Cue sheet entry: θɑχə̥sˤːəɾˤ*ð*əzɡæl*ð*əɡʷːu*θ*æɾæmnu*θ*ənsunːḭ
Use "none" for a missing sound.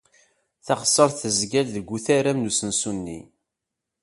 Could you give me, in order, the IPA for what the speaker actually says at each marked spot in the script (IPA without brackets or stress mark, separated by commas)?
θ, ð, θ, s